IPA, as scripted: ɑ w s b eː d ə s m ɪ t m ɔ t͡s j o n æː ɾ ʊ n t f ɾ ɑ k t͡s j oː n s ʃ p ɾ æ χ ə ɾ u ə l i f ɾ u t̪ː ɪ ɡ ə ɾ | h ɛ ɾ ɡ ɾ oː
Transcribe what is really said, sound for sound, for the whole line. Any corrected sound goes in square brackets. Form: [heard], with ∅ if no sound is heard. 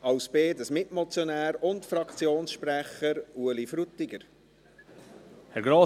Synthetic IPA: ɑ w s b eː d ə s m ɪ t m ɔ t͡s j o n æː ɾ ʊ n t f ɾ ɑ k t͡s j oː n s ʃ p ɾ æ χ ə ɾ u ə l i f ɾ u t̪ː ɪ ɡ ə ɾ | h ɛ ɾ ɡ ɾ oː